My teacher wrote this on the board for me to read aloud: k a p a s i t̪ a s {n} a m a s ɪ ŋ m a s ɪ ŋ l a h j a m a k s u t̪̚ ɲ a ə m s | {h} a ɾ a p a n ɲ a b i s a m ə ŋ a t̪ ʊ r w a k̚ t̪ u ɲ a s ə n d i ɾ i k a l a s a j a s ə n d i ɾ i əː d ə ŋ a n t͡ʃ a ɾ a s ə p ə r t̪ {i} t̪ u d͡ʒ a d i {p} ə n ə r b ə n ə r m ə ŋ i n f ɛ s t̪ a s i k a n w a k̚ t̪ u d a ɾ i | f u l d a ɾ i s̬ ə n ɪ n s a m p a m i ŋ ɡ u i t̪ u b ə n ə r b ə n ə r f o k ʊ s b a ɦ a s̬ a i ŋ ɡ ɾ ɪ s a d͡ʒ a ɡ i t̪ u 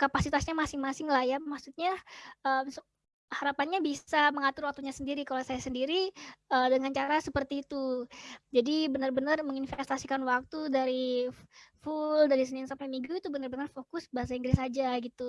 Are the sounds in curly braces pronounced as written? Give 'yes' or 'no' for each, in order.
no, yes, no, no

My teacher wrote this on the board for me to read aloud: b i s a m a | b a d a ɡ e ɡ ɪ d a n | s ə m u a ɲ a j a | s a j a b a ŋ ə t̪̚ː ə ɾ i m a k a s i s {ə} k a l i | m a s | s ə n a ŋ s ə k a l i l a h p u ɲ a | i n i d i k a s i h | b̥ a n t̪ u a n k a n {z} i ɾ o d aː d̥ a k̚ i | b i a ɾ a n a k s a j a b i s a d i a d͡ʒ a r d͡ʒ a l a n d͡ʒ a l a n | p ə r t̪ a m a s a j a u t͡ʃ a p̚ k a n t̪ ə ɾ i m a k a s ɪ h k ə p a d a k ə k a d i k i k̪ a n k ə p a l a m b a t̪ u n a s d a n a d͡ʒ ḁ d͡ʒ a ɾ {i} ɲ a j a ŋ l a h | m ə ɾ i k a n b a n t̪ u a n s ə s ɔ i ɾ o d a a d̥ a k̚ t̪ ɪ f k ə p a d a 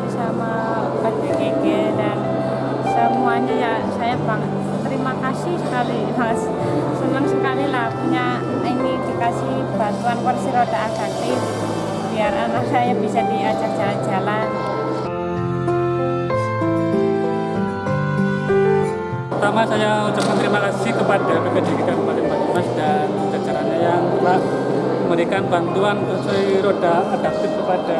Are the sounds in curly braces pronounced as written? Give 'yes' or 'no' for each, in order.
yes, no, no

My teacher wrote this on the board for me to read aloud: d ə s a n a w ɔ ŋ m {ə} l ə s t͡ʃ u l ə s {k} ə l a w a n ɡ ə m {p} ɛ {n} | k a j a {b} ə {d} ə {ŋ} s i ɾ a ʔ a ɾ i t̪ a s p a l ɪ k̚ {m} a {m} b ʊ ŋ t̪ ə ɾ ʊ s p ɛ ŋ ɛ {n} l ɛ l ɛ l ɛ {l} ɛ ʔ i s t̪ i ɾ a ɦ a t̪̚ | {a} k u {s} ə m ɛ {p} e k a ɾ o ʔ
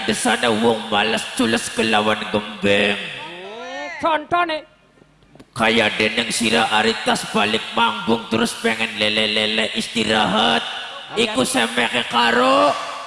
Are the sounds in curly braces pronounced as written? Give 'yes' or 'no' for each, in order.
no, yes, no, no, no, no, yes, yes, yes, yes, yes, no, yes, no

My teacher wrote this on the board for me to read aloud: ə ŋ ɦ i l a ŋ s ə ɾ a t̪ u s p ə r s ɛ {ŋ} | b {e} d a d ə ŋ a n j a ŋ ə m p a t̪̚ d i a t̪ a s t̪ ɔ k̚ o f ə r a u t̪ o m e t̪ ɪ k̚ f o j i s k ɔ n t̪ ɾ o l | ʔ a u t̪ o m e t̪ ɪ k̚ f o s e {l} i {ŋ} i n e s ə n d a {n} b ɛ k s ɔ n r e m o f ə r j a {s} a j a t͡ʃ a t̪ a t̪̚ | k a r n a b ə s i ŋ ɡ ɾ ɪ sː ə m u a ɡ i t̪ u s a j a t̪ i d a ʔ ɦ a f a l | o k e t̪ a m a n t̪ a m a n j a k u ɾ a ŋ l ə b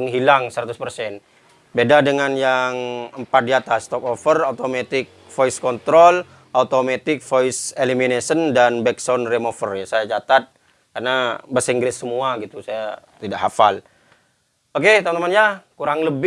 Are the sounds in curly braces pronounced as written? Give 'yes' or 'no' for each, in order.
no, yes, yes, no, yes, yes

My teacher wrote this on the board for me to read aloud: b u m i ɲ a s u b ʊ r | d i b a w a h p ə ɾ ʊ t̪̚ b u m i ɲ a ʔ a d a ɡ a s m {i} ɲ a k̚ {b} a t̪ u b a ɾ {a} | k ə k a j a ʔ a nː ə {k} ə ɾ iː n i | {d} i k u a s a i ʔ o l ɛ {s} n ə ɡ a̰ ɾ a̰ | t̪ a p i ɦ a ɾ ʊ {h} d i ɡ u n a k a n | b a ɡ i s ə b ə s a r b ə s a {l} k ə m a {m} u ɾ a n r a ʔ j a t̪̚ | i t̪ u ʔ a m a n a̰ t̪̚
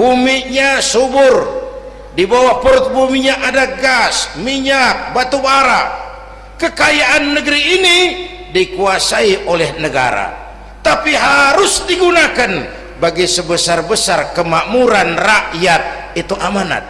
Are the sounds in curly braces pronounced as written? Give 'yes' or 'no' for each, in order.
yes, yes, yes, no, yes, no, no, no, yes

